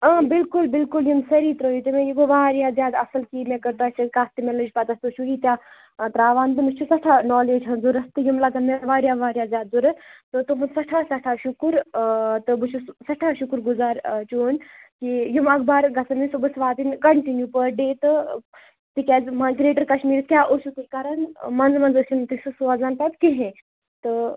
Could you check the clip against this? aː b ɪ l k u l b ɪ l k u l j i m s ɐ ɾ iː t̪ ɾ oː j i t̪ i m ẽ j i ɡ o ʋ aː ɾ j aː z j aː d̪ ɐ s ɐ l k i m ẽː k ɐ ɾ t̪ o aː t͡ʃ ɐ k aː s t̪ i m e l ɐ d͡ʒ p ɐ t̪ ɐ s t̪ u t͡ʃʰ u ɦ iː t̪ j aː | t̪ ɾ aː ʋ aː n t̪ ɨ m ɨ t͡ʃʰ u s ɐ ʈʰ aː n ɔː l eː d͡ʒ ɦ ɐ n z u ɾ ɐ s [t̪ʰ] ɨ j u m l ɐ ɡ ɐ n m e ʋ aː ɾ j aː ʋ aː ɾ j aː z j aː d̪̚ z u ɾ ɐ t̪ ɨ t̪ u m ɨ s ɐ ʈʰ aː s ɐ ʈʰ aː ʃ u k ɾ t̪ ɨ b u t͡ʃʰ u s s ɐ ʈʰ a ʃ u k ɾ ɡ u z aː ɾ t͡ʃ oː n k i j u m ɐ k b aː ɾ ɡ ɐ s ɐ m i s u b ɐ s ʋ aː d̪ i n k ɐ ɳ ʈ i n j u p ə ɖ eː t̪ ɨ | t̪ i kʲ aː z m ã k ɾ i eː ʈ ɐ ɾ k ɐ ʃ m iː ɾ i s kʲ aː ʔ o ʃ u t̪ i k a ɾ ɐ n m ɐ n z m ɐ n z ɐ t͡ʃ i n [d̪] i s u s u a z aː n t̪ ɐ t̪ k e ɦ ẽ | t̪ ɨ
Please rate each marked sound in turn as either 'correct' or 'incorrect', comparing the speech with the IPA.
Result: incorrect, incorrect

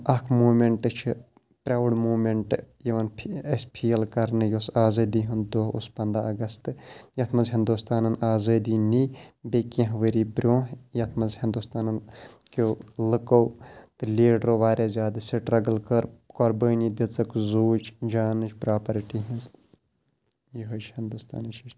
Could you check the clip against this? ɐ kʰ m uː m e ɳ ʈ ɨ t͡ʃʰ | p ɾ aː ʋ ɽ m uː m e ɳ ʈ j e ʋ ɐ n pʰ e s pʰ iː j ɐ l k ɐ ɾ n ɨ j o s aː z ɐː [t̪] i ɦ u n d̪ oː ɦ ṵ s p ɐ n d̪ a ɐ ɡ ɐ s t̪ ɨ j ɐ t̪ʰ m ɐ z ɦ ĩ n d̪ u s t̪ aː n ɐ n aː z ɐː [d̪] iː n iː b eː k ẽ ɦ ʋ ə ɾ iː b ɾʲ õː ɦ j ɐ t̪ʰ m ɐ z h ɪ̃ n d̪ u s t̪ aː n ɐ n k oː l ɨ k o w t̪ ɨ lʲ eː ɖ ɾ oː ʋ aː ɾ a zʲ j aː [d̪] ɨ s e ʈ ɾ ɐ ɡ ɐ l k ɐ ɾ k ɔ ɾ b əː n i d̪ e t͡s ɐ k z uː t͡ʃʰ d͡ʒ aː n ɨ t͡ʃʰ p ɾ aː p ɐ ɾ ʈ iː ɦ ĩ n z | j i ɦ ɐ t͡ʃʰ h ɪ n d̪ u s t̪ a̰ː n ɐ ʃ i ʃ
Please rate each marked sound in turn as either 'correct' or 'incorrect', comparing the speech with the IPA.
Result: incorrect, correct, correct

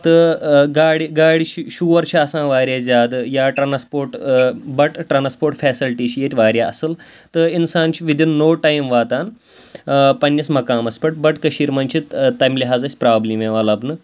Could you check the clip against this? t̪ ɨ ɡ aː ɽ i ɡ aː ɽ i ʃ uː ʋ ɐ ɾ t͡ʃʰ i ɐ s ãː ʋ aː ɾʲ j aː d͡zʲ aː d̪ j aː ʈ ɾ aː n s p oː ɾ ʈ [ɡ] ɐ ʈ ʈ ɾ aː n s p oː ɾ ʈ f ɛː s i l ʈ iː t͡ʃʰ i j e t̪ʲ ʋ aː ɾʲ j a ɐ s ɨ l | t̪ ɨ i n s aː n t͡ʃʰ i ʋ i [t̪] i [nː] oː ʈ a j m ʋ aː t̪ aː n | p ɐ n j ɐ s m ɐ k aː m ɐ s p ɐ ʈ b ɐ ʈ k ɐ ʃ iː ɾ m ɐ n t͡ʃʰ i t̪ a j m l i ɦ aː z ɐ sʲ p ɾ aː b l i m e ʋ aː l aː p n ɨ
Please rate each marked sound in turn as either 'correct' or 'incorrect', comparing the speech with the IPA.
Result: incorrect, incorrect, correct

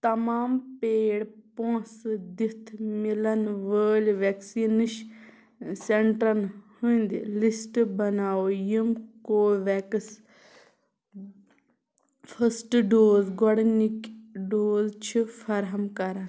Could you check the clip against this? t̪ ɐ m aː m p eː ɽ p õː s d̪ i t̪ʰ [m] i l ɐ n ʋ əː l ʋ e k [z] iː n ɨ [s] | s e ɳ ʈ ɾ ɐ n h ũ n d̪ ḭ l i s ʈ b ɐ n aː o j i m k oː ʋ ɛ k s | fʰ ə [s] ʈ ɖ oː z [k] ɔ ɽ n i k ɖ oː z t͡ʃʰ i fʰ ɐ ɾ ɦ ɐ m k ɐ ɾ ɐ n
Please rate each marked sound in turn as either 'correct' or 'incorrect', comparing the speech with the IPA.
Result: correct, incorrect, incorrect, correct, incorrect

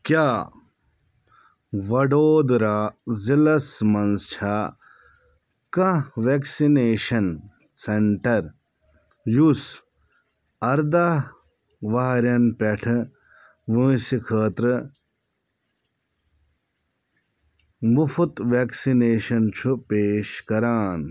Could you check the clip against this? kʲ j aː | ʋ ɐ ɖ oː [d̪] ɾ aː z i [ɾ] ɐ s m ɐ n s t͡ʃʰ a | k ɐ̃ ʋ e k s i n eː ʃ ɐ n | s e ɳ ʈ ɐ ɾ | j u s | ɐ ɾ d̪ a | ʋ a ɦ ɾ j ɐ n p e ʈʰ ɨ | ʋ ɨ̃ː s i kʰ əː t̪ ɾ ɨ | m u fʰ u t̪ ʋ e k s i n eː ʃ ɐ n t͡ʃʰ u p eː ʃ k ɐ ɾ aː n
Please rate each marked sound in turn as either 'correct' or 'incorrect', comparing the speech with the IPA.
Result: correct, incorrect

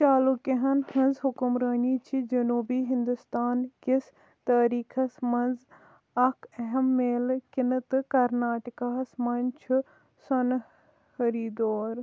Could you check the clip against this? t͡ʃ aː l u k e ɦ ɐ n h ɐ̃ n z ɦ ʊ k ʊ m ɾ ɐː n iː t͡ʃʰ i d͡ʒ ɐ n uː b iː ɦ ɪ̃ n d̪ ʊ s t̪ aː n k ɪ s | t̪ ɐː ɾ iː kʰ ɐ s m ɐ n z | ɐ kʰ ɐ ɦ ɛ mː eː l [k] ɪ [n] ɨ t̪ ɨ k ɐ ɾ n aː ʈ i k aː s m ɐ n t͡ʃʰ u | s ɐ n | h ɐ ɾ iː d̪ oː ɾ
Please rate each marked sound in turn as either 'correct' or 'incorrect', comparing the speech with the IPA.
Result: correct, correct

